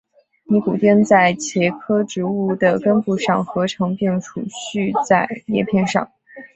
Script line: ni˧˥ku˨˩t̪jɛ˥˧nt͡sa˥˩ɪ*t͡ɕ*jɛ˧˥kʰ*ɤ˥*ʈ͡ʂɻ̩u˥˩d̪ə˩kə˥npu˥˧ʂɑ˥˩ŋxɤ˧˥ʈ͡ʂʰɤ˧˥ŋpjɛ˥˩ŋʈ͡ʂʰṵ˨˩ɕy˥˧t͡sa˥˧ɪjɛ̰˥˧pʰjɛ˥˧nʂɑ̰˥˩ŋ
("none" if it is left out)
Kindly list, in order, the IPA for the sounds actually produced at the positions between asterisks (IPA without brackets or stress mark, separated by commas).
t͡ɕʰ, ɤ˥